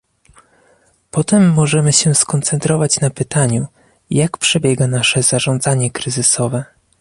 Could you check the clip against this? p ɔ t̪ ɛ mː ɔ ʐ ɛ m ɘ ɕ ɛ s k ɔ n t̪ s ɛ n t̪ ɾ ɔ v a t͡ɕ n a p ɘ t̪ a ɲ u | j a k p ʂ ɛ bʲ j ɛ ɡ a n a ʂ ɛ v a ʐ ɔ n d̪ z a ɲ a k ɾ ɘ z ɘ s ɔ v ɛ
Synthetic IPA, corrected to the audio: p ɔ t̪ ɛ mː ɔ ʐ ɛ m ɘ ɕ ɛ s k ɔ n t̪ s ɛ n t̪ ɾ ɔ v a t͡ɕ n a p ɘ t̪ a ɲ u | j a k p ʂ ɛ bʲ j ɛ ɡ a n a ʂ ɛ z a ʐ ɔ n d̪ z a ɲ ɛ k ɾ ɘ z ɘ s ɔ v ɛ